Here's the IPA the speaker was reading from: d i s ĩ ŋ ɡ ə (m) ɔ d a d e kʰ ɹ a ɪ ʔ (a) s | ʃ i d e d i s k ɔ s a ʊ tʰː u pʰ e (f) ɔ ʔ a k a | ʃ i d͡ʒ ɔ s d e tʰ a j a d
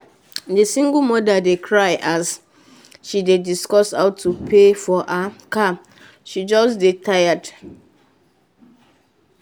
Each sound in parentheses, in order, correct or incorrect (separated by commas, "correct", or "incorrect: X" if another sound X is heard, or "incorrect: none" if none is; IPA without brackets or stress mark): correct, correct, correct